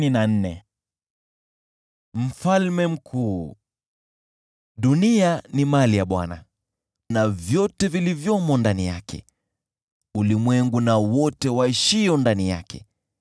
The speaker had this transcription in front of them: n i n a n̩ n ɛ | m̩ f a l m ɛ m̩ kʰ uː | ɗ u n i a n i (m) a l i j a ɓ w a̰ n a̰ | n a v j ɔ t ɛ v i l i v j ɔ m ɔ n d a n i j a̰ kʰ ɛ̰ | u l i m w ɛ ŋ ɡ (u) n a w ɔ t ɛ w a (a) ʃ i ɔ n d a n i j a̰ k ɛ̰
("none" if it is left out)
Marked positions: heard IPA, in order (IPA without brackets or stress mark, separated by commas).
m, u, i